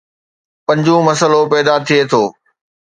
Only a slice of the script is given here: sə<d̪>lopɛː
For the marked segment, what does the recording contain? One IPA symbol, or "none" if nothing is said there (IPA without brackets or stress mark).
none